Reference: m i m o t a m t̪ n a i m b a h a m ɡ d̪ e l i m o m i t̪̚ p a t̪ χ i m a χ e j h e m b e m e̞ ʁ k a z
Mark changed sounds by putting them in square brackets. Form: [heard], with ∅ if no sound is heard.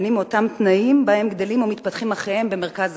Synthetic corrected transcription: [n] i m o t a m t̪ n a i m b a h [e] m ɡ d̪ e l i m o m i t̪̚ p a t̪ χ i m a χ e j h e m b e m e̞ ʁ k a z